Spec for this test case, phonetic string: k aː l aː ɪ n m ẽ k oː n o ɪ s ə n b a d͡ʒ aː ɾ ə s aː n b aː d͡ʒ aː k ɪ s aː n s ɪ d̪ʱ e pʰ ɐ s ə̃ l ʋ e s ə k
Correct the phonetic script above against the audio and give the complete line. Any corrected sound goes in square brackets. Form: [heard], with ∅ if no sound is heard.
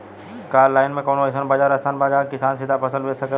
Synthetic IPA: k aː l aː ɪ n m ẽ k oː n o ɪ s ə n b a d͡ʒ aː ɾ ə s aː n b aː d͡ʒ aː k ɪ s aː n s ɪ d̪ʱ [a] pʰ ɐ s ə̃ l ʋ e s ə k